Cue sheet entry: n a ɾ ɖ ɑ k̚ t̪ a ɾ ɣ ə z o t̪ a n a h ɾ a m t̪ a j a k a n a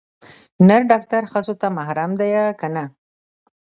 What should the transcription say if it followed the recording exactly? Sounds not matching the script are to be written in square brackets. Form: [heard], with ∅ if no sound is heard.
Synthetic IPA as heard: n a ɾ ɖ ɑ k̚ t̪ a ɾ [x] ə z o t̪ a [m] a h ɾ a m [d̪] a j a k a n a

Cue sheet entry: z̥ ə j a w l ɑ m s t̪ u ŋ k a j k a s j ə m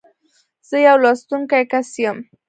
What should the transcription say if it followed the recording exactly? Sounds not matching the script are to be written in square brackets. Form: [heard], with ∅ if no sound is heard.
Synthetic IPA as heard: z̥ ə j a w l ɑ [∅] s t̪ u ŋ k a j k a s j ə m

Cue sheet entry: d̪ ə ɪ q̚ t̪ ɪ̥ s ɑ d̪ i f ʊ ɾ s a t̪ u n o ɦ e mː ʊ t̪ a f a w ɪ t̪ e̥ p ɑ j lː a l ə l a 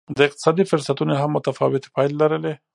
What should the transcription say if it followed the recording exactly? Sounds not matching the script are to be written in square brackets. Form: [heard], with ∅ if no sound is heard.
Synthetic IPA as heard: d̪ ə ɪ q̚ t̪ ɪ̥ s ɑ d̪ i f ʊ ɾ s a t̪ u n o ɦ [a] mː ʊ t̪ a f [ɑ] w ɪ t̪ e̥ p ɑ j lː a [ɾ] ə l [e]

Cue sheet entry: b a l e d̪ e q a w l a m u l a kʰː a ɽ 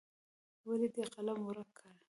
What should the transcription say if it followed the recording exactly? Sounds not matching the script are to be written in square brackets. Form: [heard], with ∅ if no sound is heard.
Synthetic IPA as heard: [w] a l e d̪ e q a [∅] l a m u [ɾ] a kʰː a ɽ

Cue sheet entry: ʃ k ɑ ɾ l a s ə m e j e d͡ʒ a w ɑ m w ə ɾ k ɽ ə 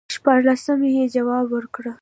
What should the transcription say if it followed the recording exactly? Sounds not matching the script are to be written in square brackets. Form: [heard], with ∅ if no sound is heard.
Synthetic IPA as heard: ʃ [p] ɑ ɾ l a s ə m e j e d͡ʒ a w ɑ [b] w ə ɾ k ɽ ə

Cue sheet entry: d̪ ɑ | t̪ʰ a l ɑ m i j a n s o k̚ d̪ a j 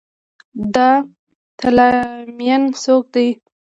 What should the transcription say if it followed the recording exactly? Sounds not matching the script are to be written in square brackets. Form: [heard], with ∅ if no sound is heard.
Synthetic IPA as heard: d̪ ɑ | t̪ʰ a l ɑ m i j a n s o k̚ d̪ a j

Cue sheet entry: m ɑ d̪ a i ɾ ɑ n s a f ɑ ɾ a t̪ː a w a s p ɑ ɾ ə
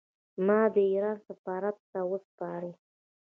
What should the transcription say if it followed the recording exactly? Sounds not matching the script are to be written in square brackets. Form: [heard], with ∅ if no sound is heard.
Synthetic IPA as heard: m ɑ d̪ [ə] i ɾ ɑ n s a f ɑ ɾ a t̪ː a w [ə] s p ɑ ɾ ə

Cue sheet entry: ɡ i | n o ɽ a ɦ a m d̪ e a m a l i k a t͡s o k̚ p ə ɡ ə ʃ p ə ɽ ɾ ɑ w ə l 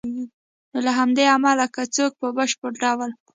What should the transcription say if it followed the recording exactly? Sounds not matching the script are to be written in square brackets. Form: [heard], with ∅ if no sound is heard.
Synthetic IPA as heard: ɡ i | n o [l] a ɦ a m d̪ e a m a l [a] k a t͡s o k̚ p ə [b] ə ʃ p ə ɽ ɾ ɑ w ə l

